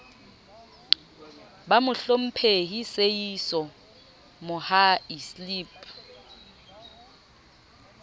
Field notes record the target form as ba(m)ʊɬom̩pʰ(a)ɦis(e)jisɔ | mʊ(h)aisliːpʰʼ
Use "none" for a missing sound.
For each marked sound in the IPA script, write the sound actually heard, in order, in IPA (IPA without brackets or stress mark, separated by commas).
m, e, e, h